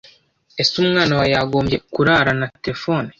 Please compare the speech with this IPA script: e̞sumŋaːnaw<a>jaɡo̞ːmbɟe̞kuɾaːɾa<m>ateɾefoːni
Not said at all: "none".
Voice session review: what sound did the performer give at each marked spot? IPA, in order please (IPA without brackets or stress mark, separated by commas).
a, n